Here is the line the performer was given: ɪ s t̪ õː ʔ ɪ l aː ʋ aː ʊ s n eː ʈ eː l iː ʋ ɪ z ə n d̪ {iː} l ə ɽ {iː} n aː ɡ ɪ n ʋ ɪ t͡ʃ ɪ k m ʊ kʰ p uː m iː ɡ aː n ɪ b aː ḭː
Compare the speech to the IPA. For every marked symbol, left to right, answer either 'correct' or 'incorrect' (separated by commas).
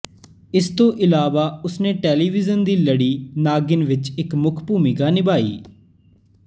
correct, correct